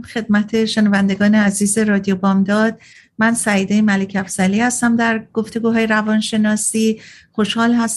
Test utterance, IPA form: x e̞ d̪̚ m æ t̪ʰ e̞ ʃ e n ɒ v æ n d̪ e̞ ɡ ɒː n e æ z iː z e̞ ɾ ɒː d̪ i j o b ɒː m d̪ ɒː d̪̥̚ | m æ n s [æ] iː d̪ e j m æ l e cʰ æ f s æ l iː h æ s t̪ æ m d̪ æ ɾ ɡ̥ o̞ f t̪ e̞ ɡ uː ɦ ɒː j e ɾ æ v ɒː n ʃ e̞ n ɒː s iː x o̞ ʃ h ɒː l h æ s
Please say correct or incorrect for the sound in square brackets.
correct